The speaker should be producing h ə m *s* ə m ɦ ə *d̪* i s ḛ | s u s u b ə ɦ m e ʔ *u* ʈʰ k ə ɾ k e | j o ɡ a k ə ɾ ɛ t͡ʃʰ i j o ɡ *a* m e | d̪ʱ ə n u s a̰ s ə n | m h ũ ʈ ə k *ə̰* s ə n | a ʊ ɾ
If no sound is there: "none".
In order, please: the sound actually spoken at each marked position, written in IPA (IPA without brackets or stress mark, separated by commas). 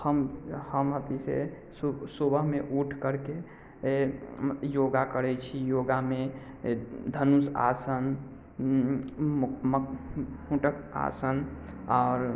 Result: h, t̪, u, a, a̰